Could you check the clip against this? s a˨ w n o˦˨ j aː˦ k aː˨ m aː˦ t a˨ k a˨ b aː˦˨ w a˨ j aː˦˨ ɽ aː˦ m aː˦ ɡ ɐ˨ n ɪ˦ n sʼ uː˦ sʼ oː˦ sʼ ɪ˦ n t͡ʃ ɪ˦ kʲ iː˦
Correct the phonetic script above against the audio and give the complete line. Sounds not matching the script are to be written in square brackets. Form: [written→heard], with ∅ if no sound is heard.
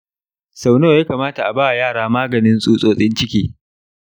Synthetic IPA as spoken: s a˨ w n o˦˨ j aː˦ k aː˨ m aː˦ t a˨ [k→ʔ] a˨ b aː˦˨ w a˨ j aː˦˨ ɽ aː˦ m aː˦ ɡ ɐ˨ n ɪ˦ n sʼ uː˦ sʼ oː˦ sʼ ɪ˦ n t͡ʃ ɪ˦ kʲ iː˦